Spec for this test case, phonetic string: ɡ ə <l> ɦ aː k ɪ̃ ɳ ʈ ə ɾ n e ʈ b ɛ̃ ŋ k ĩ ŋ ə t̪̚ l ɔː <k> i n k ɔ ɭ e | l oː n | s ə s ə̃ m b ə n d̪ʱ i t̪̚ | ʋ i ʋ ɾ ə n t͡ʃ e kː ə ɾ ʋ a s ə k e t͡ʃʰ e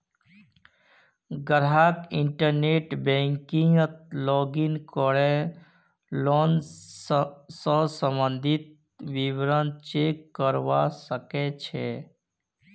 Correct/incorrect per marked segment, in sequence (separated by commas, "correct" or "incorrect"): incorrect, incorrect